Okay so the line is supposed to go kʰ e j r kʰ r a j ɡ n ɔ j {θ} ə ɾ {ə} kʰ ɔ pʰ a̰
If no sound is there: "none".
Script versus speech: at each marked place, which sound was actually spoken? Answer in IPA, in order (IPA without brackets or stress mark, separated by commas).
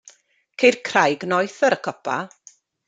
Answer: θ, ə